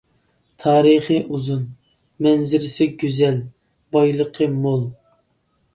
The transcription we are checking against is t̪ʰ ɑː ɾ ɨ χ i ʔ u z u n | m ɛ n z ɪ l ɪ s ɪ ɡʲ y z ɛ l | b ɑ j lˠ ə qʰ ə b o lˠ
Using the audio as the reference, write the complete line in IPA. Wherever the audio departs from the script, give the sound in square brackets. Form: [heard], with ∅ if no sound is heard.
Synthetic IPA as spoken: t̪ʰ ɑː ɾ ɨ χ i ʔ u z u n | m ɛ n z ɪ [ɾ] ɪ s ɪ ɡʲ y z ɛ l | b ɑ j lˠ ə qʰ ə [m] o lˠ